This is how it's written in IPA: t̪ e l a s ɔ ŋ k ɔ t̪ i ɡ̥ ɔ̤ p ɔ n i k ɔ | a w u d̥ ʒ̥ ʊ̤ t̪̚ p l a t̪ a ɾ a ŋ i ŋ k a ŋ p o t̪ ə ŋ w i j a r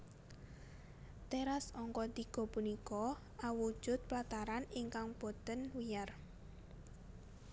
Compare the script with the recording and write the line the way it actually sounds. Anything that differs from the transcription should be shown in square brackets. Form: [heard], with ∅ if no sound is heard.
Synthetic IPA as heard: t̪ e [ɾ] a s ɔ ŋ k ɔ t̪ i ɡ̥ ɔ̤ p [u] n i k ɔ | a w u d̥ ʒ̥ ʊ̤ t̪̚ p l a t̪ a ɾ a [n] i ŋ k a ŋ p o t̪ ə [n] w i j a r